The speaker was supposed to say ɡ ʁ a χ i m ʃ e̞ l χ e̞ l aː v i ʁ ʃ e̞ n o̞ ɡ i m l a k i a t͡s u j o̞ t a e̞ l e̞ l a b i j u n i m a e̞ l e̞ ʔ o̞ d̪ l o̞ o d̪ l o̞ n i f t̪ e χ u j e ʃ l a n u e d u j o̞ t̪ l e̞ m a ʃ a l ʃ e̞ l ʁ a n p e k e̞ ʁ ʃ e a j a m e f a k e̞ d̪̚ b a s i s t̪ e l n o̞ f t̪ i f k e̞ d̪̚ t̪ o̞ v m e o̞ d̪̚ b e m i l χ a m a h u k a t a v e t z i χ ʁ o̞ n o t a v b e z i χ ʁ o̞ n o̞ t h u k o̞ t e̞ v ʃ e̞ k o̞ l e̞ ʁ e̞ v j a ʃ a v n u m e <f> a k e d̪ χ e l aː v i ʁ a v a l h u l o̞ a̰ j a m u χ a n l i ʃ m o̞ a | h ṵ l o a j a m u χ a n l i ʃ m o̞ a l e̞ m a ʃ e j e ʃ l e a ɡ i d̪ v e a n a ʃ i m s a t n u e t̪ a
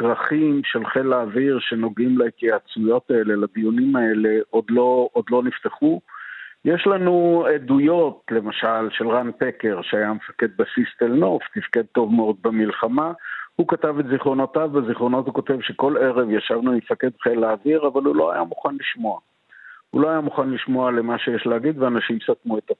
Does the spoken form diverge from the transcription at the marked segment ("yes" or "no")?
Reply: no